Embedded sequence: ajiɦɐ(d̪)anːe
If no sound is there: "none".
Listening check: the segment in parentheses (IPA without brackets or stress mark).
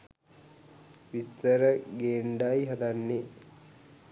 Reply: d̪